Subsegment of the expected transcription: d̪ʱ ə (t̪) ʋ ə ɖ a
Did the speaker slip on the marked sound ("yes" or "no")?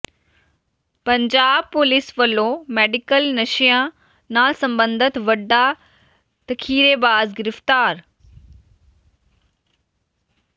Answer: no